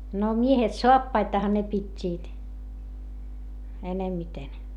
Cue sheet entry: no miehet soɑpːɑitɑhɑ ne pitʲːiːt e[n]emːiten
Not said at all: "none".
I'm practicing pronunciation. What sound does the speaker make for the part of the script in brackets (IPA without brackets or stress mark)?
n